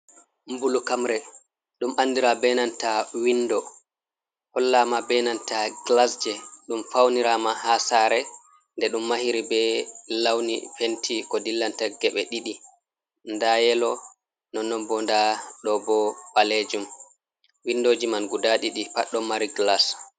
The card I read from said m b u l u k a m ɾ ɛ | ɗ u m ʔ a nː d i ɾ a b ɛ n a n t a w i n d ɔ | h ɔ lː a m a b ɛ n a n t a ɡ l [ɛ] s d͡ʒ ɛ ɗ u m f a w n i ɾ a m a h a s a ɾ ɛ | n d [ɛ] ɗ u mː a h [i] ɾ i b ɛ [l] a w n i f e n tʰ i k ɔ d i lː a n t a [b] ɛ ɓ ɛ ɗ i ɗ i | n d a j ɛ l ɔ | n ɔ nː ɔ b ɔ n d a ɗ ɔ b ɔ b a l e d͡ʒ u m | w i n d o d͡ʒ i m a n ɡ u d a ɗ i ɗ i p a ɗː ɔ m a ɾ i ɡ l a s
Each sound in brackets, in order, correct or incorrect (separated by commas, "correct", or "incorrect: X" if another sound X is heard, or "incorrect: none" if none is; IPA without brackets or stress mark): incorrect: a, correct, correct, correct, incorrect: ɡ